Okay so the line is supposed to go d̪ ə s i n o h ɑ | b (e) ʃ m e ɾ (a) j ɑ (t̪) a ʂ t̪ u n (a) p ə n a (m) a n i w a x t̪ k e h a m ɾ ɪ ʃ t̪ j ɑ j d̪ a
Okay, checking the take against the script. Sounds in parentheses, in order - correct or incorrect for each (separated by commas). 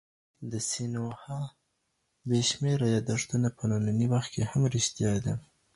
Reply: correct, correct, incorrect, correct, incorrect